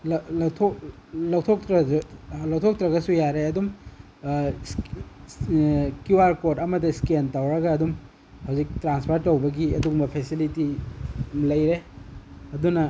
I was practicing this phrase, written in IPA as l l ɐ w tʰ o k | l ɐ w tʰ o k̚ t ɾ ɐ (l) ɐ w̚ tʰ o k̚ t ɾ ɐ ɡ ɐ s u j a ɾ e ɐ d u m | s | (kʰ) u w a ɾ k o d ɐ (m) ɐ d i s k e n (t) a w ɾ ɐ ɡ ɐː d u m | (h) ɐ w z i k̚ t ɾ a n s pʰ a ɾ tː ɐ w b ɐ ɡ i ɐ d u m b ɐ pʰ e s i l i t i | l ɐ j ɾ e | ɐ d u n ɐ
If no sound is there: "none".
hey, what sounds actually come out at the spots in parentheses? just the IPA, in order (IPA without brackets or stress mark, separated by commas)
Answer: l, k, m, t, h